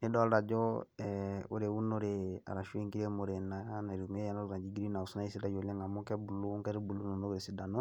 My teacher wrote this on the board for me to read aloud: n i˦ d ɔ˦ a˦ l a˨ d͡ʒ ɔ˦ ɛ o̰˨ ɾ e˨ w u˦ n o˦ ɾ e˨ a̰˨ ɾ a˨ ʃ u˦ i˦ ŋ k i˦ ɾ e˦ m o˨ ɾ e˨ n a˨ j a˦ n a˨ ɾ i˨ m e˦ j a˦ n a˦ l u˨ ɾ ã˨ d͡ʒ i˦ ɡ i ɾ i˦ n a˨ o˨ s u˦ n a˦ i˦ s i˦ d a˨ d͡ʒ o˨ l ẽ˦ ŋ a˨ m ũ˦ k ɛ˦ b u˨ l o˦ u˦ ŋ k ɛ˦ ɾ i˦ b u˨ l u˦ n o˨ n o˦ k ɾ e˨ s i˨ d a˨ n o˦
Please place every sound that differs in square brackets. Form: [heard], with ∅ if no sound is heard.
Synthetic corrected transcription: n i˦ d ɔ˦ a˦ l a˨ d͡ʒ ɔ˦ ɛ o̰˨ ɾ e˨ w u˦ n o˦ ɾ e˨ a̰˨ ɾ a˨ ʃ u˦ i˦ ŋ k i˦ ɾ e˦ m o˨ ɾ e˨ n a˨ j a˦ n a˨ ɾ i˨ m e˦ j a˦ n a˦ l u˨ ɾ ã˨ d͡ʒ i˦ ɡ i ɾ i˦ n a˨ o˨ s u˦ n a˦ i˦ s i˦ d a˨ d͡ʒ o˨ l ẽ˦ ŋ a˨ m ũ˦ k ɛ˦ b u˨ l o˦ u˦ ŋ k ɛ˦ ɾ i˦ b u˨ l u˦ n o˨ n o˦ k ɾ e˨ s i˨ d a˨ n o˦